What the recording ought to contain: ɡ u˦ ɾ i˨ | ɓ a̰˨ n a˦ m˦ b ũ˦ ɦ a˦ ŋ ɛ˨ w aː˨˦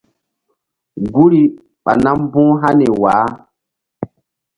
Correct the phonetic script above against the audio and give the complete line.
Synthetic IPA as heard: ɡ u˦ ɾ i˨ | ɓ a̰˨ n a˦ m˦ b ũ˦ ɦ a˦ n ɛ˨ w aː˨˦